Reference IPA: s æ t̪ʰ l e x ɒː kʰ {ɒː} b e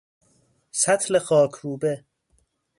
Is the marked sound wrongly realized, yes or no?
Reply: yes